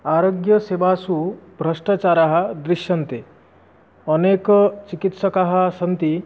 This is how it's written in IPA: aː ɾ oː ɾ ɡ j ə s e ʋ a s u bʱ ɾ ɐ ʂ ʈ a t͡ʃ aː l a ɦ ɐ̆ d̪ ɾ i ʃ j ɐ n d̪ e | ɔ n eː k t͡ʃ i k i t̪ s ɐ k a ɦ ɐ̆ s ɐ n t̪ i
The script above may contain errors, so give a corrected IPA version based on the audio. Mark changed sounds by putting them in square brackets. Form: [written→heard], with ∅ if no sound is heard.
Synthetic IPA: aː ɾ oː [ɾ→∅] ɡ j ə s e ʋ a s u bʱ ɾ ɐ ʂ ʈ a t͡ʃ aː [l→ɾ] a ɦ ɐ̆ d̪ ɾ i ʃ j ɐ n [d̪→t̪] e | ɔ n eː k t͡ʃ i k i t̪ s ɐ k a ɦ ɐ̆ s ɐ n t̪ i

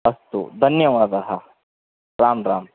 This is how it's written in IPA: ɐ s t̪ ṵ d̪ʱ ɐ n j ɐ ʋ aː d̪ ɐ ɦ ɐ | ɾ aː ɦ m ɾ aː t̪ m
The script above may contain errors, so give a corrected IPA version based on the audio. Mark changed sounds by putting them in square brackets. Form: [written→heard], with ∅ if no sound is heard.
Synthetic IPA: ɐ s t̪ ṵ d̪ʱ ɐ n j ɐ ʋ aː d̪ ɐ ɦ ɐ | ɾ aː [ɦ→∅] m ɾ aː [t̪→∅] m

